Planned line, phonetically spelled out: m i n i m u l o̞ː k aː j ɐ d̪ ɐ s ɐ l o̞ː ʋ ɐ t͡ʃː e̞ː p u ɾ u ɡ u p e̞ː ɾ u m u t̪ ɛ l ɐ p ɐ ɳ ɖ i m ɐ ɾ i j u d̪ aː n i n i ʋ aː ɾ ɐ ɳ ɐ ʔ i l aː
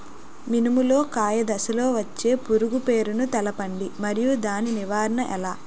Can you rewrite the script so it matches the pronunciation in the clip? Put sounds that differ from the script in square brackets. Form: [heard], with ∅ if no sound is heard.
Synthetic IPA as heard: m i n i m u l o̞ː k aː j ɐ d̪ ɐ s ɐ l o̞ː ʋ ɐ t͡ʃː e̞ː p u ɾ u ɡ u p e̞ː ɾ u [n] u t̪ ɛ l ɐ p ɐ ɳ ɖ i m ɐ ɾ i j u d̪ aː n i n i ʋ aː ɾ ɐ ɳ ɐ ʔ [ɛ] l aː